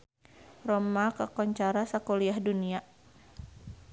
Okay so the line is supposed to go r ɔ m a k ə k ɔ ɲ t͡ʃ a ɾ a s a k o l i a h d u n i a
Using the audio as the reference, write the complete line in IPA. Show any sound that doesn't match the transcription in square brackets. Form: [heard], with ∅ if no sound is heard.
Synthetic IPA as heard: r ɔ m a k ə k ɔ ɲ t͡ʃ a ɾ a s a k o l i a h d u n i a